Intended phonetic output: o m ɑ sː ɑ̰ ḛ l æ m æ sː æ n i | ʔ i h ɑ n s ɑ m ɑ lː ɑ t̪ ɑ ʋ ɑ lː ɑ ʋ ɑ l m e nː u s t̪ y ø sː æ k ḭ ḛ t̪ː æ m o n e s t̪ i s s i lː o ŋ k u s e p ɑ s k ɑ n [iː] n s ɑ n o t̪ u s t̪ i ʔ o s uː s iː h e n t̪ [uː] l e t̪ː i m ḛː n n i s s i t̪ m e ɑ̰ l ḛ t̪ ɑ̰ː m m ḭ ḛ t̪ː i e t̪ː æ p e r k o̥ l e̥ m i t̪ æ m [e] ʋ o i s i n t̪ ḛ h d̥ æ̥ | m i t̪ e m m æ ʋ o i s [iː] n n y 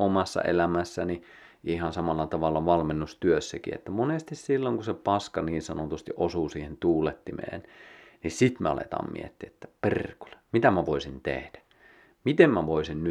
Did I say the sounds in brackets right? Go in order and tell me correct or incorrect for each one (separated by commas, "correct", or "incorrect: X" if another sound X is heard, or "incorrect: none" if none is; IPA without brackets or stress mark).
correct, correct, incorrect: æ, incorrect: i